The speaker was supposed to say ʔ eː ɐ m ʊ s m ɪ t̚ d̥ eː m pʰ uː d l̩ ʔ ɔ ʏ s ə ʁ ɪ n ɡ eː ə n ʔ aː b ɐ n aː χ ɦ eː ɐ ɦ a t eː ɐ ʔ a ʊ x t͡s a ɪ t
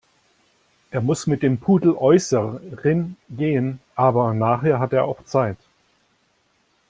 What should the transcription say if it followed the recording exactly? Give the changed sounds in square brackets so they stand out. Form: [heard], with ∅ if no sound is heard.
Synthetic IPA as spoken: ʔ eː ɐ m ʊ s m ɪ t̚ d̥ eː m pʰ uː d l̩ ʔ ɔ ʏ s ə ʁ ɪ n ɡ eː ə n ʔ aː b ɐ n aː χ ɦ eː ɐ ɦ a t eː ɐ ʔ a ʊ x t͡s a ɪ t

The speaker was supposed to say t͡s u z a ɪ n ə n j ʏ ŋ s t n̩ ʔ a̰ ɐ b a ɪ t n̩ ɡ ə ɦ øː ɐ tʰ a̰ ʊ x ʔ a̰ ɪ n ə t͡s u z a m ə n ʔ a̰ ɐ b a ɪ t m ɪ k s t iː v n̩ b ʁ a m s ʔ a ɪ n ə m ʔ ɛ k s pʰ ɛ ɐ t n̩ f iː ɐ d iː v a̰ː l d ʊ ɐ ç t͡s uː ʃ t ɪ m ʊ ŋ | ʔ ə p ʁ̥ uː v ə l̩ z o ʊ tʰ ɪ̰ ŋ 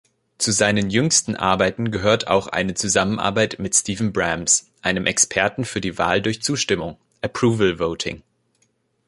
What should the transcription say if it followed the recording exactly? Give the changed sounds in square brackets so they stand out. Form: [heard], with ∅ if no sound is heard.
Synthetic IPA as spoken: t͡s u z a ɪ n ə n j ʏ ŋ s t n̩ ʔ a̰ ɐ b a ɪ t n̩ ɡ ə ɦ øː ɐ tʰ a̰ ʊ x ʔ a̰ ɪ n ə t͡s u z a m ə n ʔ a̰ ɐ b a ɪ t m ɪ [t] s t iː v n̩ b ʁ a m s ʔ a ɪ n ə m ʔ ɛ k s pʰ ɛ ɐ t n̩ f [yː] ɐ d iː v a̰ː l d ʊ ɐ ç t͡s uː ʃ t ɪ m ʊ ŋ | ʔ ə p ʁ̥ uː v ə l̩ [v] o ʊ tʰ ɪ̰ ŋ

